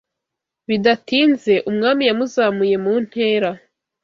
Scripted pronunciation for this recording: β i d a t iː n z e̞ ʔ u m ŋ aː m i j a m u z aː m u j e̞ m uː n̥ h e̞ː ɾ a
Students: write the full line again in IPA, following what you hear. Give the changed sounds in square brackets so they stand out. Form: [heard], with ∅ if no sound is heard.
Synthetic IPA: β i d a t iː n z e̞ ʔ u m ŋ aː m i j a m u z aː m u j e̞ m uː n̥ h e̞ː ɾ a